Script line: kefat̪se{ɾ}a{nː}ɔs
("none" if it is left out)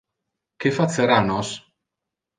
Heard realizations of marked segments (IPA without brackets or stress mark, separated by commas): ɾ, n